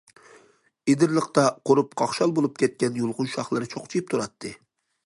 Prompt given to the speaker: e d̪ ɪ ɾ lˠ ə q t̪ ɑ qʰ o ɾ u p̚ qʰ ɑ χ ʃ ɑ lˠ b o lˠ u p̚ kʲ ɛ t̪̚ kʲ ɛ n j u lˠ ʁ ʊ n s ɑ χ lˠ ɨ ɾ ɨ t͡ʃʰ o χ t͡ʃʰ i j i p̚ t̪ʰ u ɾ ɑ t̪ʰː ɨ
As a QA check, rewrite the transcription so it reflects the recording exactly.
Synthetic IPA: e d̪ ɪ ɾ lˠ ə q t̪ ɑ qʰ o ɾ u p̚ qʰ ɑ χ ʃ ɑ lˠ b o lˠ u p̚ kʲ ɛ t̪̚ kʲ ɛ n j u lˠ ʁ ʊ n ʃ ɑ χ lˠ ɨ ɾ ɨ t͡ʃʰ o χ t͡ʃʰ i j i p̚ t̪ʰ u ɾ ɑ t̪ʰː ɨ